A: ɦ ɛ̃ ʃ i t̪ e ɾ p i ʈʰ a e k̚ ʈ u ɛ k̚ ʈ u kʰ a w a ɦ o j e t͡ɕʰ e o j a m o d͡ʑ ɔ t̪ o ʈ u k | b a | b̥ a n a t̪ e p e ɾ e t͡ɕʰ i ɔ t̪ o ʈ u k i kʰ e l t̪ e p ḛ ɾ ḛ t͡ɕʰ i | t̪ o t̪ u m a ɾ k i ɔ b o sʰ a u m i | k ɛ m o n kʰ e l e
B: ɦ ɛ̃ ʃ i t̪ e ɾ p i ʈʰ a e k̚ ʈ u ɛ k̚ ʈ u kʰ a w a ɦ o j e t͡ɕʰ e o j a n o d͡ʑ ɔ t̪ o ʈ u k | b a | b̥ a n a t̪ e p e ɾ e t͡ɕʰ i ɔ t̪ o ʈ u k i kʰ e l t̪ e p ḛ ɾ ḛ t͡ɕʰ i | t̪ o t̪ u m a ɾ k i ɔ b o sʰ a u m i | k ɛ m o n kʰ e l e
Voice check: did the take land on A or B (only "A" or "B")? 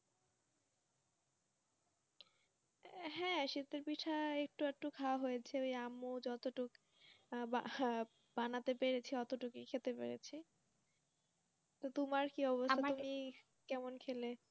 A